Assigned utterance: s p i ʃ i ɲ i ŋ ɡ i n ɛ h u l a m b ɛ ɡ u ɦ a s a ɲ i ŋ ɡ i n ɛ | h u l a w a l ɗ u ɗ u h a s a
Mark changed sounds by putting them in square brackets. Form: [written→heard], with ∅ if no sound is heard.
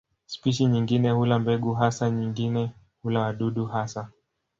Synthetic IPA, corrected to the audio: s p i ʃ i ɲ i ŋ ɡ i n ɛ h u l a m b ɛ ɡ u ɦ a s a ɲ i ŋ ɡ i n ɛ | h u l a w a [l→∅] ɗ u ɗ u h a s a